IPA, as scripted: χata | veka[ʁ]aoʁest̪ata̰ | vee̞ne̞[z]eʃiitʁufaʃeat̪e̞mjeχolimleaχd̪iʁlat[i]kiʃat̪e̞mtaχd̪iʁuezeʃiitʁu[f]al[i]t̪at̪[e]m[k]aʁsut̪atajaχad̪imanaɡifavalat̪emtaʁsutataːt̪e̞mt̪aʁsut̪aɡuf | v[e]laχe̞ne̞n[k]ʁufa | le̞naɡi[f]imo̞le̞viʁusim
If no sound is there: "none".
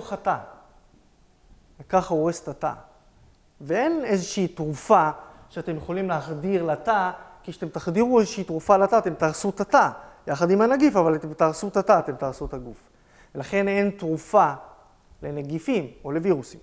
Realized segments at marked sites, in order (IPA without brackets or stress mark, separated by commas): χ, z, a, f, a, e, t, e, t, f